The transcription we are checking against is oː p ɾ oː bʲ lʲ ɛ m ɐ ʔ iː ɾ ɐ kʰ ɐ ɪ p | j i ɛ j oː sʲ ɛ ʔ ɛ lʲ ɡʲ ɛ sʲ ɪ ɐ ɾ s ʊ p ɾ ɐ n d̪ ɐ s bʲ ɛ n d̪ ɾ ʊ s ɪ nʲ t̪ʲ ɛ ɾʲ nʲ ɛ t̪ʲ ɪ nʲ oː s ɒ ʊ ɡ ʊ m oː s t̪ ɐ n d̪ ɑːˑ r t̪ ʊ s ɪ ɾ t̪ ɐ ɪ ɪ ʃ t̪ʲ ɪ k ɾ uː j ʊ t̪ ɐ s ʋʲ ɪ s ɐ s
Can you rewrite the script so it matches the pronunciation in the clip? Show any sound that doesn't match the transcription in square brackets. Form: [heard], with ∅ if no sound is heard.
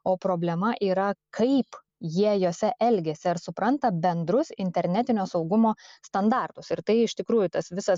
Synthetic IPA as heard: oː p ɾ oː bʲ lʲ ɛ m ɐ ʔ iː ɾ ɐ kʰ ɐ ɪ p | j i ɛ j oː sʲ ɛ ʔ ɛ lʲ ɡʲ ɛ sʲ ɪ ɐ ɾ s ʊ p ɾ ɐ n [t̪] ɐ [∅] bʲ ɛ n d̪ ɾ ʊ s ɪ nʲ t̪ʲ ɛ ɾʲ nʲ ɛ t̪ʲ ɪ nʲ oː s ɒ ʊ ɡ ʊ m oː s t̪ ɐ n d̪ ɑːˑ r t̪ ʊ s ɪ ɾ t̪ ɐ ɪ ɪ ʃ t̪ʲ ɪ k ɾ uː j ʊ t̪ ɐ s ʋʲ ɪ s ɐ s

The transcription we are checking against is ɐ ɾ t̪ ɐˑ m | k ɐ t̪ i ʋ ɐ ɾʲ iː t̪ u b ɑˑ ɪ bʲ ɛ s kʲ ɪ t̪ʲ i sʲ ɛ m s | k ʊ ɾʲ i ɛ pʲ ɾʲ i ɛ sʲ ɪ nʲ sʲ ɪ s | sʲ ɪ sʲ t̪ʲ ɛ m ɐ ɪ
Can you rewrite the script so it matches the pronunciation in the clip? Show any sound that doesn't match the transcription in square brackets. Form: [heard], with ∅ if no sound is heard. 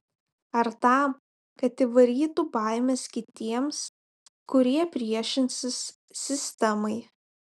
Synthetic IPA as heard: ɐ ɾ t̪ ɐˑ m | k ɐ t̪ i ʋ ɐ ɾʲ iː t̪ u b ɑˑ ɪ [mʲ] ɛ s kʲ ɪ t̪ʲ i [∅] ɛ m s | k ʊ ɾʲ i ɛ pʲ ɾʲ i ɛ [ʃʲ] ɪ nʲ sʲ ɪ s | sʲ ɪ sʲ t̪ʲ ɛ m ɐ ɪ

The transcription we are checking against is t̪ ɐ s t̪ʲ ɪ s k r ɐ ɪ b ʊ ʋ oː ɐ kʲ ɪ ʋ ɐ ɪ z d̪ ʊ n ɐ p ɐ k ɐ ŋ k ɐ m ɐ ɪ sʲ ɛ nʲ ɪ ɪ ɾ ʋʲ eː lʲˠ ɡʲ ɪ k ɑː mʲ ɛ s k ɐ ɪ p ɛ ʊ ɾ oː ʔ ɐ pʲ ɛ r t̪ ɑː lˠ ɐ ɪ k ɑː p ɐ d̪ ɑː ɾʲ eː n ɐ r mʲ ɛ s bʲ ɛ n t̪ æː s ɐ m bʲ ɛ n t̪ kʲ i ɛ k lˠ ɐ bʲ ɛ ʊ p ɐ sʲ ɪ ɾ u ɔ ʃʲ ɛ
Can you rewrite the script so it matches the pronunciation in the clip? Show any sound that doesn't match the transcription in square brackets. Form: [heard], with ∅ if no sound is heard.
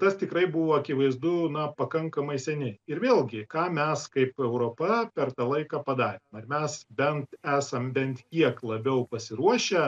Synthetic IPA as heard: t̪ ɐ s t̪ʲ ɪ [∅] k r ɐ ɪ b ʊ ʋ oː ɐ kʲ ɪ ʋ ɐ ɪ z d̪ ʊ n ɐ p ɐ k ɐ ŋ k ɐ m ɐ ɪ sʲ ɛ nʲ ɪ ɪ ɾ ʋʲ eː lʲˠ ɡʲ ɪ k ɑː mʲ ɛ s k ɐ ɪ p ɛ ʊ ɾ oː [p] ɐ pʲ ɛ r t̪ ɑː lˠ ɐ ɪ k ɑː p ɐ d̪ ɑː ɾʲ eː [m] ɐ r mʲ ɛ s bʲ ɛ n t̪ æː s ɐ m bʲ ɛ n t̪ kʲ i ɛ k lˠ ɐ bʲ ɛ ʊ p ɐ sʲ ɪ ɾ u ɔ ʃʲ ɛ

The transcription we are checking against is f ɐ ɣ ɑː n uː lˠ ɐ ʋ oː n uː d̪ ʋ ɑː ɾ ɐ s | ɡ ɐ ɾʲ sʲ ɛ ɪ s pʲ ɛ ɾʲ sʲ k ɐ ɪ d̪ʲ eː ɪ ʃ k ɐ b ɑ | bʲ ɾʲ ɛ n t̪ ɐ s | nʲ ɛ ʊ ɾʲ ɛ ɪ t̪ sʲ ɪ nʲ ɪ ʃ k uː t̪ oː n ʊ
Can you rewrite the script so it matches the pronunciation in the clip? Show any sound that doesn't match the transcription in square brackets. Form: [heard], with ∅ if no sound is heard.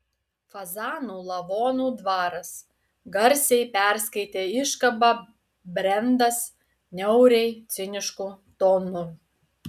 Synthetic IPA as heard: f ɐ [z] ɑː n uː lˠ ɐ ʋ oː n uː d̪ ʋ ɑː ɾ ɐ s | ɡ ɐ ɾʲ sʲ ɛ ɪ [∅] pʲ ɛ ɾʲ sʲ k ɐ ɪ [t̪ʲ] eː ɪ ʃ k ɐ b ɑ | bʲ ɾʲ ɛ n [d̪] ɐ s | nʲ ɛ ʊ ɾʲ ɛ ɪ t̪ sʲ ɪ nʲ ɪ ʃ k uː t̪ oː n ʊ

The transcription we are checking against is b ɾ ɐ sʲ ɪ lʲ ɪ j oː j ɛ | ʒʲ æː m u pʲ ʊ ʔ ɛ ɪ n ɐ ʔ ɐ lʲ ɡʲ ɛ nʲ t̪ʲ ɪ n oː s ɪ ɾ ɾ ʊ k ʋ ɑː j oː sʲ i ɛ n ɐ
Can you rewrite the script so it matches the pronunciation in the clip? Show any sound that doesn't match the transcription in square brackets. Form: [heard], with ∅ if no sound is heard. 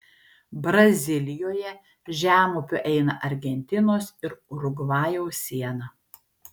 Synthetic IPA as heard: b ɾ ɐ [zʲ] ɪ lʲ ɪ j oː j ɛ | ʒʲ æː m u pʲ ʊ ʔ ɛ ɪ n ɐ ʔ ɐ [ɾʲ] ɡʲ ɛ nʲ t̪ʲ ɪ n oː s ɪ ɾ ɾ ʊ [ɡ] ʋ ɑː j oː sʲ i ɛ n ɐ

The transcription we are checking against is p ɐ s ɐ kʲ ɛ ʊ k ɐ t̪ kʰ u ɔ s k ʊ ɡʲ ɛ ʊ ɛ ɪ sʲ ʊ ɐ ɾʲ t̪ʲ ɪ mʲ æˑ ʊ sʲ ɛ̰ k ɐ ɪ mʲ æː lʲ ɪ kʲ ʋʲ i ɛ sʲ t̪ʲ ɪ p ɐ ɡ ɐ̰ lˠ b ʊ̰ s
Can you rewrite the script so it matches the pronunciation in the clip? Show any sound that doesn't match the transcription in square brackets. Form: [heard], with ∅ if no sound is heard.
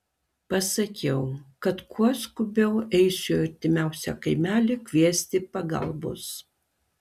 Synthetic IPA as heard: p ɐ s ɐ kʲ ɛ ʊ k ɐ t̪ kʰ u ɔ s k ʊ [bʲ] ɛ ʊ ɛ ɪ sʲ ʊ ɐ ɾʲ t̪ʲ ɪ mʲ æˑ ʊ sʲ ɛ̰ k ɐ ɪ mʲ æː lʲ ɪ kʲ ʋʲ i ɛ sʲ t̪ʲ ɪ p ɐ ɡ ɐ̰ lˠ b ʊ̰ s

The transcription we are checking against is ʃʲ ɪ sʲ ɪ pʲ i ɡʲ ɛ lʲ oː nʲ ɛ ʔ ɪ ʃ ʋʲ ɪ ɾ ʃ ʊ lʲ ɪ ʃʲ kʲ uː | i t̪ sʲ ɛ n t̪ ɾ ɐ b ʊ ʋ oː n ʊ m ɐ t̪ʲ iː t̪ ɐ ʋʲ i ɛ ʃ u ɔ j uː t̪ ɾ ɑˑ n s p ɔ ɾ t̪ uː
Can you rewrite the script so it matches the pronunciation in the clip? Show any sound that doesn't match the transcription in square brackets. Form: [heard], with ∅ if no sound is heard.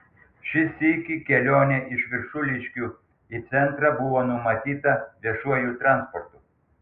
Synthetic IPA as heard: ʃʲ ɪ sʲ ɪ [kʲ] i [kʲ] ɛ lʲ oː nʲ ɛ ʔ ɪ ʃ ʋʲ ɪ ɾ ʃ ʊ lʲ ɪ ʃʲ kʲ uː | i t̪ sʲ ɛ n t̪ ɾ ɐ b ʊ ʋ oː n ʊ m ɐ t̪ʲ iː t̪ ɐ ʋʲ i ɛ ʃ u ɔ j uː t̪ ɾ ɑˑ n s p ɔ ɾ t̪ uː

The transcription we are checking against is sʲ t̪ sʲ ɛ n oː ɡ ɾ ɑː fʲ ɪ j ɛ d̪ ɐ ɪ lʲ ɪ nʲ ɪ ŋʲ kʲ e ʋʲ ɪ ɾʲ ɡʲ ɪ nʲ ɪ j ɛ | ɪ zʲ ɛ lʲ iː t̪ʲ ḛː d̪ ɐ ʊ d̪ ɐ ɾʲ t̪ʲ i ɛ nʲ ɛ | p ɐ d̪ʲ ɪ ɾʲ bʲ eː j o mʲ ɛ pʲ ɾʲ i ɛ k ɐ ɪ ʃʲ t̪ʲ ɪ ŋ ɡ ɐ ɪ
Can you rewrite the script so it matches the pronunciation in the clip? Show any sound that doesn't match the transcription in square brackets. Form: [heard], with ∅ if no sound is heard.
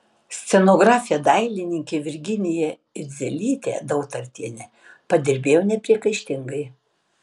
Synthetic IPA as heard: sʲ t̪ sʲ ɛ n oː ɡ ɾ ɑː fʲ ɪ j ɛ d̪ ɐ ɪ lʲ ɪ nʲ ɪ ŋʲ kʲ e ʋʲ ɪ ɾʲ ɡʲ ɪ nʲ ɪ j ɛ | ɪ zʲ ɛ lʲ iː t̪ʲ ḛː d̪ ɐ ʊ [t̪] ɐ ɾʲ t̪ʲ i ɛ nʲ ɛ | p ɐ d̪ʲ ɪ ɾʲ bʲ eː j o [nʲ] ɛ pʲ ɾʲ i ɛ k ɐ ɪ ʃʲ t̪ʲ ɪ ŋ ɡ ɐ ɪ

